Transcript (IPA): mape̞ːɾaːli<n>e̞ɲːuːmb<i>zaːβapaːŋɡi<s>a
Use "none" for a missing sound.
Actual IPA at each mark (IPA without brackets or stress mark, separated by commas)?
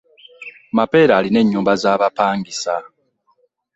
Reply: n, a, s